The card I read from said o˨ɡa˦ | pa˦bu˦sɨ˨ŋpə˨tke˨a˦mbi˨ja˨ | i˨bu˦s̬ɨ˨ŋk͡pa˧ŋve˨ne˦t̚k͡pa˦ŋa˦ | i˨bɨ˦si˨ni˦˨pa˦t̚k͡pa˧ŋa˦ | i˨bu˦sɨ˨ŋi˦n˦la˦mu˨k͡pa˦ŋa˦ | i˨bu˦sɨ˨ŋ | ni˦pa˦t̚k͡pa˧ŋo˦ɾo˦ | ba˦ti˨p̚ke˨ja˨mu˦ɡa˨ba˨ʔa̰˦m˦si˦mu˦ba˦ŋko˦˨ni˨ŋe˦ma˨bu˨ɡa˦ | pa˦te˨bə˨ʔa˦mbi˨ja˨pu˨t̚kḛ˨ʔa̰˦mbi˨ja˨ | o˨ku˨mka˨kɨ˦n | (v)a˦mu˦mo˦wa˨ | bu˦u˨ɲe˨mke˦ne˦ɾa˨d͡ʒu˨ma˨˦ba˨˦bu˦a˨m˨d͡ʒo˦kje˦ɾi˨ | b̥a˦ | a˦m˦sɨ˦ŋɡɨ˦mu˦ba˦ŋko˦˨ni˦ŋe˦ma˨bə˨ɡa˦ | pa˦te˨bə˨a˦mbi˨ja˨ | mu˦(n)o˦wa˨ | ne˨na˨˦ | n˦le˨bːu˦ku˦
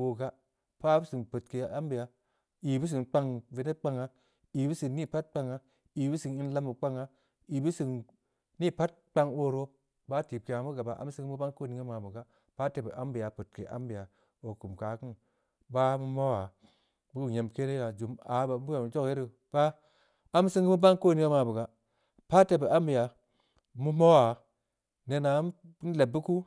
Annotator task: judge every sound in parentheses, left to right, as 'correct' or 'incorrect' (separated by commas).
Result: incorrect, incorrect